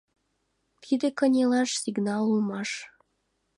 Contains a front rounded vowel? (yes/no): no